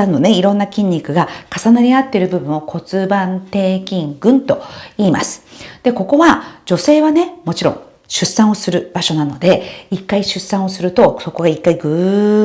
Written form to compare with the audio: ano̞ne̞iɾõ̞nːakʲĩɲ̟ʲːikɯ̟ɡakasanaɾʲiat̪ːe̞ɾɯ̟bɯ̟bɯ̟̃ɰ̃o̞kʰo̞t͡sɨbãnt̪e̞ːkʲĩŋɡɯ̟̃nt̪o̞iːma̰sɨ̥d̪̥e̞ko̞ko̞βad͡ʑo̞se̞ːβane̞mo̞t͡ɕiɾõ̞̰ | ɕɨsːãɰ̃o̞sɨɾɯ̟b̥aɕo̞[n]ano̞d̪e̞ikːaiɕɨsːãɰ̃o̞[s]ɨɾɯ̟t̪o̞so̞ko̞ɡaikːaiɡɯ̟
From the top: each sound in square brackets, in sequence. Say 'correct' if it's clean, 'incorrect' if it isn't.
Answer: correct, correct

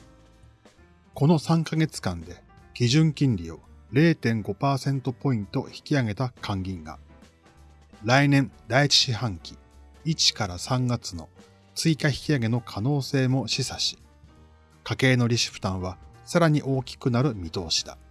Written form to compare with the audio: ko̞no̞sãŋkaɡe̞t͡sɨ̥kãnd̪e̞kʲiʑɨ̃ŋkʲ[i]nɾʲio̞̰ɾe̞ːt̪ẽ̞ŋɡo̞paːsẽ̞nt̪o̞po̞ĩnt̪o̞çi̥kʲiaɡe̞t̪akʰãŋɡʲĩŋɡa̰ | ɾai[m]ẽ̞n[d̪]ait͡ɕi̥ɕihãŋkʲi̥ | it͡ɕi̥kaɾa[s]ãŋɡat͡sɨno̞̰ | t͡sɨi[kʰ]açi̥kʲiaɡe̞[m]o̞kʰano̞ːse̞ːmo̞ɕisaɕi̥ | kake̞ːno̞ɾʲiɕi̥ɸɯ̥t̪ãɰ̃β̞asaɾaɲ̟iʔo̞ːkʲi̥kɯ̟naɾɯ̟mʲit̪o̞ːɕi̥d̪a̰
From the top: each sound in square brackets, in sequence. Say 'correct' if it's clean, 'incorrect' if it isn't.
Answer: incorrect, incorrect, correct, correct, incorrect, incorrect

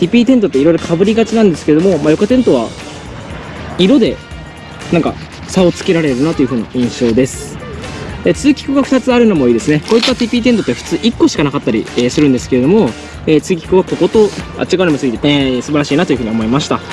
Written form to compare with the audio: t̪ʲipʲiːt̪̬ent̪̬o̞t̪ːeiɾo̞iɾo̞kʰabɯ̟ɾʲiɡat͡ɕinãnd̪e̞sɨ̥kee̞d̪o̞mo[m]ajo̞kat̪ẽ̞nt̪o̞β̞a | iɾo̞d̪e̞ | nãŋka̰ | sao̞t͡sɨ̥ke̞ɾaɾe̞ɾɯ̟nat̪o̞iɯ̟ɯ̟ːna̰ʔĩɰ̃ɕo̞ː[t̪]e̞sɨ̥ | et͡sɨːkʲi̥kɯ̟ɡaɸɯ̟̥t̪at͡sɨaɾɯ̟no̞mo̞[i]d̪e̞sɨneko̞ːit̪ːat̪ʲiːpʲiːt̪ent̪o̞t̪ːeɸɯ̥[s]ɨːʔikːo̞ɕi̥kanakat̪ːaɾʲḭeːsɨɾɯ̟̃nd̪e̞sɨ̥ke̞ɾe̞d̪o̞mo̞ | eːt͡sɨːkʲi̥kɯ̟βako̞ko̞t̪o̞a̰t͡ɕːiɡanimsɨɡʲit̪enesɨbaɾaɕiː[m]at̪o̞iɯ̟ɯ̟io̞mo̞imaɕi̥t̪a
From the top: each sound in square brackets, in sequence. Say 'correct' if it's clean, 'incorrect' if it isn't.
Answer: correct, incorrect, incorrect, incorrect, incorrect

